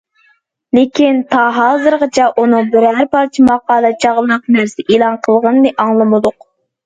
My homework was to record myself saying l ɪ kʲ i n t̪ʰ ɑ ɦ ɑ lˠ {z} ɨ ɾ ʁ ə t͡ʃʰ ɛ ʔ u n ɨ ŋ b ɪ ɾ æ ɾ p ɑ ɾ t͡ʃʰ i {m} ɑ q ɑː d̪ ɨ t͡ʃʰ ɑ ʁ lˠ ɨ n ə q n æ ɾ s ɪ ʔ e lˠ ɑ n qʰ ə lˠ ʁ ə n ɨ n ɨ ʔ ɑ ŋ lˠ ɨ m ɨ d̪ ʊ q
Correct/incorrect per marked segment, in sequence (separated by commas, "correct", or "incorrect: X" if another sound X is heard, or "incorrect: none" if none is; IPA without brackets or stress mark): correct, correct